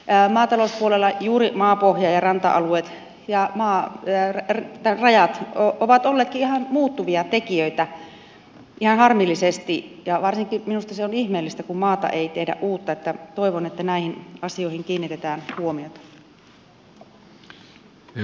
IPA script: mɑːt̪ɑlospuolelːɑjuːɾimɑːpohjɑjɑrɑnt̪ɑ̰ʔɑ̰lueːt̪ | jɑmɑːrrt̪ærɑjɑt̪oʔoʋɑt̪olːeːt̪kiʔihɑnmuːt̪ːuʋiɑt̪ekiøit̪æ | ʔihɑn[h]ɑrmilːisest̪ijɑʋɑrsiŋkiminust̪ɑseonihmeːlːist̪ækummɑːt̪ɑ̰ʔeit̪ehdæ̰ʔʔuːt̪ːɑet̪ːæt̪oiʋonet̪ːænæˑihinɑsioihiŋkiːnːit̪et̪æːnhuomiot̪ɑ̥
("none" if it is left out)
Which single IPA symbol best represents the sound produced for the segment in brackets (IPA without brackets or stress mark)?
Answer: h